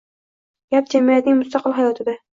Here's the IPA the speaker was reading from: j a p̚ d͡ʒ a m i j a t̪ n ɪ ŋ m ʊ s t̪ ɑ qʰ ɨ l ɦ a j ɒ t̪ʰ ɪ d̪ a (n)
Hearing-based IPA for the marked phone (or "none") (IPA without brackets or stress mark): none